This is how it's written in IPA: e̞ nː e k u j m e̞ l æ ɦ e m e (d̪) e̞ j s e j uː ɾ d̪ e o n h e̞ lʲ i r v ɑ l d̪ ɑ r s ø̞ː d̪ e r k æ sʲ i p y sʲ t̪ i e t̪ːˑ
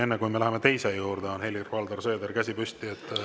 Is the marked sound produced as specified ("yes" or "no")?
no